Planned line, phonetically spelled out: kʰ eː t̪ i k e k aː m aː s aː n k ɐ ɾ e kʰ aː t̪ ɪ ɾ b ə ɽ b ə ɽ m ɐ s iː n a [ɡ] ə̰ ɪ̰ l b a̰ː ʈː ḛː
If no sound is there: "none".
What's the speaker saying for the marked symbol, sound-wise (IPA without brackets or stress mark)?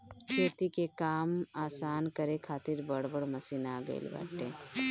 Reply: ɡ